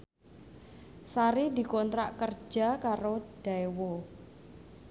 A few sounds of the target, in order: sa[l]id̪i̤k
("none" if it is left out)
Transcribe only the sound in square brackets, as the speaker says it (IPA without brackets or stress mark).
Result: ɾ